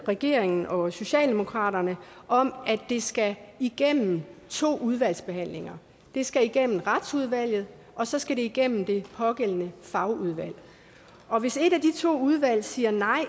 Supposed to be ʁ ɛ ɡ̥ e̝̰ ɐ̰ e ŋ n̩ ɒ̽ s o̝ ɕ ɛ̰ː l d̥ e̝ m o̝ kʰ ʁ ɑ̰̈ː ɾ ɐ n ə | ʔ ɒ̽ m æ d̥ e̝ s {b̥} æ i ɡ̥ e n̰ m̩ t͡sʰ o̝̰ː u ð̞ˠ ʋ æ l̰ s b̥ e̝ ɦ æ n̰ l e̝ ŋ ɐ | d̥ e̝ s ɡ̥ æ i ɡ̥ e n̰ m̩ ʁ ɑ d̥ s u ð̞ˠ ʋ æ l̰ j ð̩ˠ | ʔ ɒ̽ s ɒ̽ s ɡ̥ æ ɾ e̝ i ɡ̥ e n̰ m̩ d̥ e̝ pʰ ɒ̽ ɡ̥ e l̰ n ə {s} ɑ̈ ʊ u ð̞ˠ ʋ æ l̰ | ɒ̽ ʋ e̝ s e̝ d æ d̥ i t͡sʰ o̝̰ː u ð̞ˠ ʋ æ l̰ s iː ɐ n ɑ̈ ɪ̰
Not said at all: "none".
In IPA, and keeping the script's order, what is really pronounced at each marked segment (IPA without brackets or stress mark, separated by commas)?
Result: ɡ̥, f